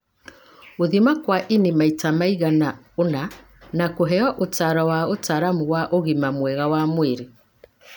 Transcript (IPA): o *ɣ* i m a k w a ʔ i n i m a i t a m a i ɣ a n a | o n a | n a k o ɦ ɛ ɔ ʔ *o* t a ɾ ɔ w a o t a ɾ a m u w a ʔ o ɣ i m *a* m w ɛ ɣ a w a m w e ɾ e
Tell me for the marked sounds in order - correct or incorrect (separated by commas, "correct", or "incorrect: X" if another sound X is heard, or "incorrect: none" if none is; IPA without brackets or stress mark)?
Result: incorrect: ð, correct, correct